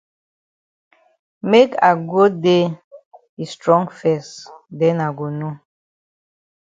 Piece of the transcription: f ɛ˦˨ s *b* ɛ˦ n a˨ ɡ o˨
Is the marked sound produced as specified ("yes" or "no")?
no